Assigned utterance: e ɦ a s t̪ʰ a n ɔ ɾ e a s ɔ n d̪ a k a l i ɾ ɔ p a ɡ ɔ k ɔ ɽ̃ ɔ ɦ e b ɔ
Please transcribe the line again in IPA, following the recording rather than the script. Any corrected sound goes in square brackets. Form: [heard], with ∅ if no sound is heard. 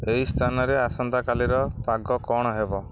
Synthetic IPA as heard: e ɦ [i] s t̪ʰ a n ɔ ɾ e a s ɔ n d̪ a k a l i ɾ ɔ p a ɡ ɔ k ɔ ɽ̃ ɔ ɦ e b ɔ

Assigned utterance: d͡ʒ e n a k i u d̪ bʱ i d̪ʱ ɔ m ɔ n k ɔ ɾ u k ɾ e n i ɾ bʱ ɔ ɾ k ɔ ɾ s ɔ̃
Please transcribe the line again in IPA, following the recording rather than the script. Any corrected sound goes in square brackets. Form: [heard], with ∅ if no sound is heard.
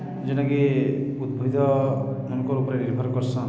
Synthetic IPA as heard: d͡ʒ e n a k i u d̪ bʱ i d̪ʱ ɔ m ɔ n k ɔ ɾ u [p] ɾ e n i ɾ bʱ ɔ ɾ k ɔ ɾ s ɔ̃

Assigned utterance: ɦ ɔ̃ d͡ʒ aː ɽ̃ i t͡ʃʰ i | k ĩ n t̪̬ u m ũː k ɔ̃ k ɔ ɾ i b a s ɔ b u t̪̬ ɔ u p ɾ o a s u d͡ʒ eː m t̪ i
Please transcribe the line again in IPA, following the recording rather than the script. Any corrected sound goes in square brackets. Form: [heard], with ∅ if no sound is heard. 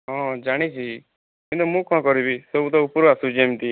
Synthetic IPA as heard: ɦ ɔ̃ d͡ʒ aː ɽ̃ i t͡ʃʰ i | k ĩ n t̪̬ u m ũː k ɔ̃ k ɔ ɾ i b [i] s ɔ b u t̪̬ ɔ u p ɾ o a s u d͡ʒ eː m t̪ i

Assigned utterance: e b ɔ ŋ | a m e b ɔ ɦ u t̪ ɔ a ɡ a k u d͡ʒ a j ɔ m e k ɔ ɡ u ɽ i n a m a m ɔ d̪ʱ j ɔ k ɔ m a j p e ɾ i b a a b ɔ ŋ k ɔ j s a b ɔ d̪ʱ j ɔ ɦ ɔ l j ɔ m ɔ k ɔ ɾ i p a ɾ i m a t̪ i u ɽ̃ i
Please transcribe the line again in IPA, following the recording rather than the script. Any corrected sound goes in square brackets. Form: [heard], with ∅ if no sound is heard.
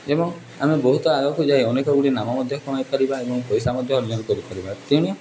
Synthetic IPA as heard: e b ɔ ŋ | a m e b ɔ ɦ u t̪ ɔ a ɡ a k u d͡ʒ a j ɔ [n] e k ɔ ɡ u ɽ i n a m a m ɔ d̪ʱ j ɔ k ɔ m a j p [a] ɾ i b a [e] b ɔ ŋ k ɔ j s a [m] ɔ d̪ʱ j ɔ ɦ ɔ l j ɔ [n] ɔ k ɔ ɾ i p a ɾ i [b] a t̪ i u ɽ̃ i

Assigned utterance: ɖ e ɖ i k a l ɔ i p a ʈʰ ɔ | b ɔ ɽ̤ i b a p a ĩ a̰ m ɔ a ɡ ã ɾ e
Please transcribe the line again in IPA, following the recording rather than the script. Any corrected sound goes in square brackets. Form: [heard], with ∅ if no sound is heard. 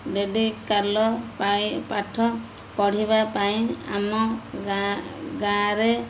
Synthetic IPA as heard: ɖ e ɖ i k a l ɔ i p a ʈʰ ɔ | [p] ɔ ɽ̤ i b a p a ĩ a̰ m ɔ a ɡ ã ɾ e

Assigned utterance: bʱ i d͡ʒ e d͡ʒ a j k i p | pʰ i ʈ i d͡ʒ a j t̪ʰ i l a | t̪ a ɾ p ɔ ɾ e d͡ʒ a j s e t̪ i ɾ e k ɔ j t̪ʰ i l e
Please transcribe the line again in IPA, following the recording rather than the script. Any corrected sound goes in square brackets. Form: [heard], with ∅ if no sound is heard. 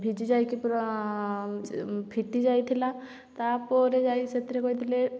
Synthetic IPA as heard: bʱ i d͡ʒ [i] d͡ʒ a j k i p | pʰ i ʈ i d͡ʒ a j t̪ʰ i l a | t̪ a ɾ p ɔ ɾ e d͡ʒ a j s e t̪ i ɾ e k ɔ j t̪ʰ i l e

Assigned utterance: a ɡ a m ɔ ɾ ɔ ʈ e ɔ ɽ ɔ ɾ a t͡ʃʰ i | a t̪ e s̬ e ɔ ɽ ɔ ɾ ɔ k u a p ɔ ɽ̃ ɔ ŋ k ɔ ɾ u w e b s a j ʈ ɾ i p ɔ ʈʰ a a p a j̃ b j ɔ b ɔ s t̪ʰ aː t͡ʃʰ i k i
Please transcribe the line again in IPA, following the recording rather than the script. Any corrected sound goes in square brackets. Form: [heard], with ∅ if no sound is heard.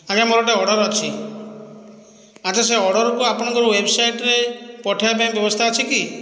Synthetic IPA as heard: a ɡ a m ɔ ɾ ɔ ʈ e ɔ ɽ ɔ ɾ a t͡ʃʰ i | a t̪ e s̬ e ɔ ɽ ɔ ɾ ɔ k u a p ɔ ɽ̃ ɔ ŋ k ɔ ɾ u w e b s a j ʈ ɾ [e] p ɔ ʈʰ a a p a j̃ b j ɔ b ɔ s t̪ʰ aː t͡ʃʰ i k i

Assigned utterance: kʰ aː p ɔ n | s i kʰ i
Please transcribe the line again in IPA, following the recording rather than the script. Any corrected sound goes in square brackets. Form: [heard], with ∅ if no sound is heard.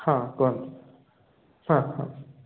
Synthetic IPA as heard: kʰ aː [k] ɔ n | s [a] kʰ [a]

